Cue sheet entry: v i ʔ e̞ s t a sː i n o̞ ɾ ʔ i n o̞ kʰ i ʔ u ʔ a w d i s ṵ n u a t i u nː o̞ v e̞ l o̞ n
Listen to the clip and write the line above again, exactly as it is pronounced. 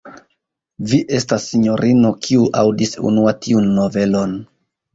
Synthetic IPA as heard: v i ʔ e̞ s t a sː i ɲ o̞ ɾ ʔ i n o̞ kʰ i u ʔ a w d i s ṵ n u a t i u nː o̞ v e̞ l o̞ n